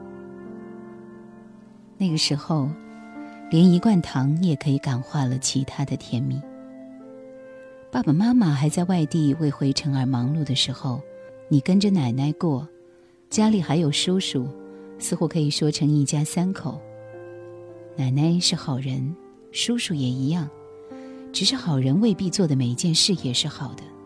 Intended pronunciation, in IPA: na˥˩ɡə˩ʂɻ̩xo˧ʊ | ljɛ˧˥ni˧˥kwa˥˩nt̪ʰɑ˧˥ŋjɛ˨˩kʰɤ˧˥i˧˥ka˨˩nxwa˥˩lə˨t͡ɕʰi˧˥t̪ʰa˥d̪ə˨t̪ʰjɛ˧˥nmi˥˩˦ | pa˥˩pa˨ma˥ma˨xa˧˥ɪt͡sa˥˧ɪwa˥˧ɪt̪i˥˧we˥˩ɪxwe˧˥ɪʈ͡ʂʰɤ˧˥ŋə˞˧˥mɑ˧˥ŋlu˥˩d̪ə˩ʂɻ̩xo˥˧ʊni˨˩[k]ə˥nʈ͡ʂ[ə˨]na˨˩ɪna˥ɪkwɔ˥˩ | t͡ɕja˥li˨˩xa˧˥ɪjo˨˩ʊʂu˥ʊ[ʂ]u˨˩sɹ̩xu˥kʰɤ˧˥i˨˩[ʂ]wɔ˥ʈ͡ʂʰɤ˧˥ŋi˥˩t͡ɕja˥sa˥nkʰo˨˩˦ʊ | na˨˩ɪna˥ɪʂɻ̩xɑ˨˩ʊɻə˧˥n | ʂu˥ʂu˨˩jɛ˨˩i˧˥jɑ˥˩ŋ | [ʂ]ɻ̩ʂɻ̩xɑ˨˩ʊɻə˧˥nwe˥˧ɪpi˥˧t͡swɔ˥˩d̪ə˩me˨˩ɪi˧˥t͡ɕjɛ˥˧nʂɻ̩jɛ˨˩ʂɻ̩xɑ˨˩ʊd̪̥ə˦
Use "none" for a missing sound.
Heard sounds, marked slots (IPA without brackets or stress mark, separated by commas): k, ə˨, ʂ, ʂ, ʈ͡ʂ